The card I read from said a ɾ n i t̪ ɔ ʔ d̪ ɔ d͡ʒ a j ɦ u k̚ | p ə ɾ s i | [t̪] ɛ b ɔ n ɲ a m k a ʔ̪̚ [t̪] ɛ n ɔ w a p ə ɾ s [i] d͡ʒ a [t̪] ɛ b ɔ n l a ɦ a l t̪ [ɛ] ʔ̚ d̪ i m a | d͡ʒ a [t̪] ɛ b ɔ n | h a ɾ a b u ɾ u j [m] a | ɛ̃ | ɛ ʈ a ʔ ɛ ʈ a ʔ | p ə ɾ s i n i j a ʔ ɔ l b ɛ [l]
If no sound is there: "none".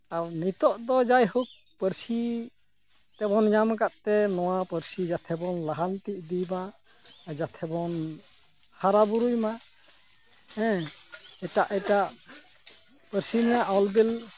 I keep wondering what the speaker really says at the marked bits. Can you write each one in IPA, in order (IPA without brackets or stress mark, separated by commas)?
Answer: t̪, t̪, i, t̪ʰ, i, t̪ʰ, m, l